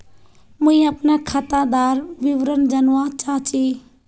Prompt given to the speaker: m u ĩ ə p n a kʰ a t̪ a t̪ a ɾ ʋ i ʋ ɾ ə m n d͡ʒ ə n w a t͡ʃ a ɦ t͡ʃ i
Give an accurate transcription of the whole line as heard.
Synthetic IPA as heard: m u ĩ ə p n a kʰ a t̪ a d̪ a ɾ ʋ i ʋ ɾ ə n d͡ʒ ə n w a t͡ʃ a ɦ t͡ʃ i